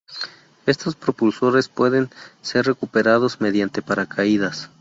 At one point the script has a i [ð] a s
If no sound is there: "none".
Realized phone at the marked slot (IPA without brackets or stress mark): ð